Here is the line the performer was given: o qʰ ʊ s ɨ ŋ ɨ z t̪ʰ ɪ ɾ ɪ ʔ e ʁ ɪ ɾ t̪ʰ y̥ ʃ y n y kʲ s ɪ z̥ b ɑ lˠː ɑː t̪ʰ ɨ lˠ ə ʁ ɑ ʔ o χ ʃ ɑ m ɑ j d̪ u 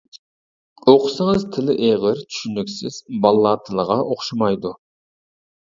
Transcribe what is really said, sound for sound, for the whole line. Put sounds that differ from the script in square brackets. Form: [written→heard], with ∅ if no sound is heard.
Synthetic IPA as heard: o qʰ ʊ s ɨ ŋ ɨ z t̪ʰ ɪ [ɾ→l] ɪ ʔ e ʁ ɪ ɾ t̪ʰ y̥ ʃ y n y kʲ s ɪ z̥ b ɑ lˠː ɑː t̪ʰ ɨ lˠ ə ʁ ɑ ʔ o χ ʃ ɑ m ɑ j d̪ u